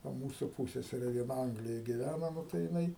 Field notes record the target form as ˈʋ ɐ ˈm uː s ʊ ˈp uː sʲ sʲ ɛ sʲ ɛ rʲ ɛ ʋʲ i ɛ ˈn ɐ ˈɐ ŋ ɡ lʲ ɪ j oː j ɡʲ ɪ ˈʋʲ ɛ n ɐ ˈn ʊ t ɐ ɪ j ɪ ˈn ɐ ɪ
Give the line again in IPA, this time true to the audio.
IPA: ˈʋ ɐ ˈm uː s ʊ ˈp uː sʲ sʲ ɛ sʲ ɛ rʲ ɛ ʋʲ i ɛ ˈn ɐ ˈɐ ŋ ɡ lʲ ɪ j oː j ɡʲ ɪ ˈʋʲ æ n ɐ ˈn ʊ t ɐ ɪ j ɪ ˈn ɐ ɪ